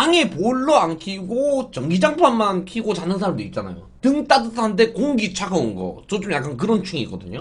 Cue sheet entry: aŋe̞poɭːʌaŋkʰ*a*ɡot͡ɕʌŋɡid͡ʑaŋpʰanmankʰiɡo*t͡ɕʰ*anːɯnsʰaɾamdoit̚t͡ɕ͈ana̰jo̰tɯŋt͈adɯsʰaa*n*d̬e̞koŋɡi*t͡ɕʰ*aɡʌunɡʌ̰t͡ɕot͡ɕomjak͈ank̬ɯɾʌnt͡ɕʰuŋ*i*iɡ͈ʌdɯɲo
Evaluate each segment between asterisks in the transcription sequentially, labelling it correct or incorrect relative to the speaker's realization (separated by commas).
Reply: incorrect, incorrect, correct, correct, correct